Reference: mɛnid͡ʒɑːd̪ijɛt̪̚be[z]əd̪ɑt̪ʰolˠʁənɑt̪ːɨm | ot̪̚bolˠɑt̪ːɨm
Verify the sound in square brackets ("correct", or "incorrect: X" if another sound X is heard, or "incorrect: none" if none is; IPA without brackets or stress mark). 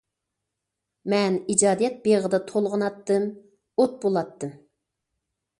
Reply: incorrect: ʁ